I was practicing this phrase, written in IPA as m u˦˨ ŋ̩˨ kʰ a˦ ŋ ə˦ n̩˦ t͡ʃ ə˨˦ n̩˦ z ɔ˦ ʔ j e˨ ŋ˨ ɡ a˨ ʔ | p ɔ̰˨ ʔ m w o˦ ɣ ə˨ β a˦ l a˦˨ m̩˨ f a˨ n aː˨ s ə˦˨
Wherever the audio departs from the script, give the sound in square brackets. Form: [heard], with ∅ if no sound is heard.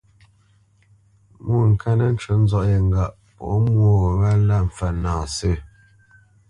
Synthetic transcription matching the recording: m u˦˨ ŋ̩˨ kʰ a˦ [n] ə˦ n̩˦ t͡ʃ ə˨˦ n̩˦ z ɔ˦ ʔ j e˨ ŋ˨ ɡ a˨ ʔ | p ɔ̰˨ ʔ m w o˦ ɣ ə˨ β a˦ l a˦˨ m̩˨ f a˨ n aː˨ s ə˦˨